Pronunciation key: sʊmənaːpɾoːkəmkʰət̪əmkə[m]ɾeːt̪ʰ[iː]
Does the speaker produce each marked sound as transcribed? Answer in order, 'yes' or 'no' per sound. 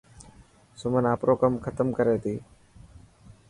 no, yes

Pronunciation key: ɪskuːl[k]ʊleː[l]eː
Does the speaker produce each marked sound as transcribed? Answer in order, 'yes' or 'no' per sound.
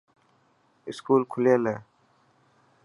no, yes

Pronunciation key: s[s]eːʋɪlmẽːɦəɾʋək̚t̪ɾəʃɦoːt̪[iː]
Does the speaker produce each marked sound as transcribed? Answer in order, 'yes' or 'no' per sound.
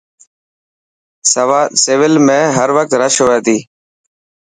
yes, yes

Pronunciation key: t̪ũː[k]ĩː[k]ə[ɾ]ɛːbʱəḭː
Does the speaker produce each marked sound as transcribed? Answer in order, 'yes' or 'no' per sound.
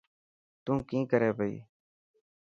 yes, yes, yes

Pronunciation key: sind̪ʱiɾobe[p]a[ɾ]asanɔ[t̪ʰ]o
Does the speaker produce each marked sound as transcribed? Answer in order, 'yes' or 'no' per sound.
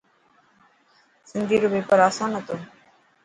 yes, yes, no

